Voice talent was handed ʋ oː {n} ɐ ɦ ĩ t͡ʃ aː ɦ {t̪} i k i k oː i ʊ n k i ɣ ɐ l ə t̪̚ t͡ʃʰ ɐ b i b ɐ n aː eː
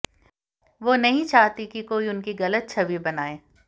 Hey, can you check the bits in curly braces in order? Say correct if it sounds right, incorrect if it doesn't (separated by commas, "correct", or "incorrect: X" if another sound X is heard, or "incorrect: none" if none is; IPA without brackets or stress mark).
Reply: correct, correct